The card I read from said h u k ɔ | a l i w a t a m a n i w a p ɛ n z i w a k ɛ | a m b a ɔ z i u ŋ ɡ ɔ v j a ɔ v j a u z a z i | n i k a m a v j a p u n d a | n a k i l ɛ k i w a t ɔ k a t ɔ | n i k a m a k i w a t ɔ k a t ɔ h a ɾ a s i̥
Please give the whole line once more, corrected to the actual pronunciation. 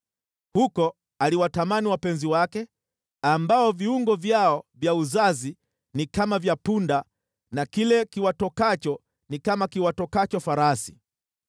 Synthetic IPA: h u k ɔ | a l i w a t a m a n i w a p ɛ n z i w a k ɛ | a m b a ɔ v i u ŋ ɡ ɔ v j a ɔ v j a u z a z i | n i k a m a v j a p u n d a | n a k i l ɛ k i w a t ɔ k a t͡ʃ ɔ | n i k a m a k i w a t ɔ k a t͡ʃ ɔ f a ɾ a s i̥